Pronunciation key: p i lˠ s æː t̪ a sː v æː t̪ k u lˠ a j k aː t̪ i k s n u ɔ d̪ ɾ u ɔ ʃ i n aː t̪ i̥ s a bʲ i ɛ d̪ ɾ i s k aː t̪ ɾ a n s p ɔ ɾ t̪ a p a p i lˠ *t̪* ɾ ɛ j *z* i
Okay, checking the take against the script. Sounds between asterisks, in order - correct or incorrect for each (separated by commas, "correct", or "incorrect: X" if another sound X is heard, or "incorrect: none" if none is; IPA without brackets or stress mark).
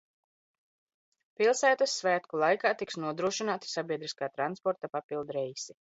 incorrect: d̪, incorrect: s